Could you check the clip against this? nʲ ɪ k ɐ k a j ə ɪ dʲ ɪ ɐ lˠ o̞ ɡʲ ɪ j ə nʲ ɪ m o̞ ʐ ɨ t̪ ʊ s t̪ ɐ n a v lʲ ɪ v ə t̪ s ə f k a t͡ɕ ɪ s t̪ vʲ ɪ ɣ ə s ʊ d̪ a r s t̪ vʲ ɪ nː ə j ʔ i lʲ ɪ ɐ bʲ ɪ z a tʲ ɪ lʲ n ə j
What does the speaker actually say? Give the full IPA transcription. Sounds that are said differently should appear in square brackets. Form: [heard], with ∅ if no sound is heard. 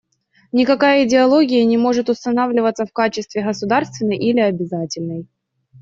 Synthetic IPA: nʲ ɪ k ɐ k a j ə ɪ dʲ ɪ ɐ lˠ o̞ ɡʲ ɪ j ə nʲ ɪ m o̞ ʐ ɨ t̪ ʊ s t̪ ɐ n a v lʲ ɪ v ə t̪ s ə f k a t͡ɕ ɪ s t̪ vʲ ɪ ɣ ə s ʊ d̪ a r s t̪ vʲ ɪ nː ə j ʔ i lʲ ɪ ɐ bʲ ɪ z a tʲ ɪ lʲ n ə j